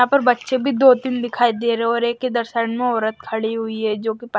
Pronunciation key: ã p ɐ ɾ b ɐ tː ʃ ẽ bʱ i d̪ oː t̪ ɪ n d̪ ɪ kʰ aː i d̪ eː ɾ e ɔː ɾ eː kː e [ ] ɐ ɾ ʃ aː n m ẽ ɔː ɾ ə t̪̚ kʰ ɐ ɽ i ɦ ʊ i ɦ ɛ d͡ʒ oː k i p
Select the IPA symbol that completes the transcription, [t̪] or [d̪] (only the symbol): d̪